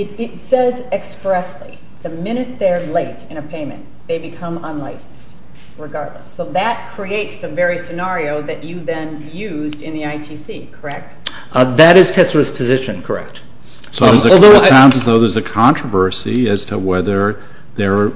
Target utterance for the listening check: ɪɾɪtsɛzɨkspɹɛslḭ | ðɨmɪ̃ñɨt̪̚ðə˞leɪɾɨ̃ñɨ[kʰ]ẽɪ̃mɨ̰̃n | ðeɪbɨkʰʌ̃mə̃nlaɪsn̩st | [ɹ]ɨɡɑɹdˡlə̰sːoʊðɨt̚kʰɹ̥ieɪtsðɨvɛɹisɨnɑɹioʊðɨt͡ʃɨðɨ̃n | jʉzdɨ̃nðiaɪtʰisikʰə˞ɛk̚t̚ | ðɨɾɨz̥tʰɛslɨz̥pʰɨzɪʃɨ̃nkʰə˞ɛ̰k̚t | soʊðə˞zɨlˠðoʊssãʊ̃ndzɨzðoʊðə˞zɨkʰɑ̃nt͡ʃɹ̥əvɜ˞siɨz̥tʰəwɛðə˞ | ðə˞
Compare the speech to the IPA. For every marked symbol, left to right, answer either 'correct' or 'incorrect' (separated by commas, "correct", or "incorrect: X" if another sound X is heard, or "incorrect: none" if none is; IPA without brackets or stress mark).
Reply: incorrect: pʰ, correct